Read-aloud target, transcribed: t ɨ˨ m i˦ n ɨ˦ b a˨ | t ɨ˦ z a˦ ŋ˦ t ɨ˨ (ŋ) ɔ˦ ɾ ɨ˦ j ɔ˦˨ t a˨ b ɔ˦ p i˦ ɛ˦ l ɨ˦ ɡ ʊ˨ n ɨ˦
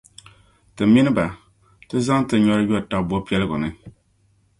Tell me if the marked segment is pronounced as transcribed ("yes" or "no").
no